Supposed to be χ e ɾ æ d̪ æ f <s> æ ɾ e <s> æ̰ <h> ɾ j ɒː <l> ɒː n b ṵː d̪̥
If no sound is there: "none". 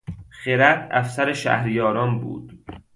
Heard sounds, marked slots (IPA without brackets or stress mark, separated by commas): s, ʃ, h, ɾ